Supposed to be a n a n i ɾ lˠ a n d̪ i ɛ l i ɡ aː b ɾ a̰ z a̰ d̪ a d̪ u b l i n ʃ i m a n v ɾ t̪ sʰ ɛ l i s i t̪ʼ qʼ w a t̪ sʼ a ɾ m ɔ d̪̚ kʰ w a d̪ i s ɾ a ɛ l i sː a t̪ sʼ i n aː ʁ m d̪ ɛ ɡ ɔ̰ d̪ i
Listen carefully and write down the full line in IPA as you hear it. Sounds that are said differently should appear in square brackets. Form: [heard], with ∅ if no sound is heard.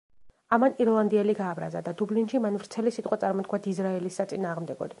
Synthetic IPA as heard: a [m] a n i ɾ lˠ a n d̪ i ɛ l i ɡ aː b ɾ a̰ z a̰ d̪ a d̪ u b l i n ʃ i m a n v ɾ t̪ sʰ ɛ l i s i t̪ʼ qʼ w a t̪ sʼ a ɾ m ɔ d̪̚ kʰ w a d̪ i [z] ɾ a ɛ l i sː a t̪ sʼ i n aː ʁ m d̪ ɛ ɡ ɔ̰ d̪ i